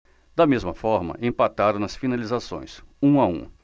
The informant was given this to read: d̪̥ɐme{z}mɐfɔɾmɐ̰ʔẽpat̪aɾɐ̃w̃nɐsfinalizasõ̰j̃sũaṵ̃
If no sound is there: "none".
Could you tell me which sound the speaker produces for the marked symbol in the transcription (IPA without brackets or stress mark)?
z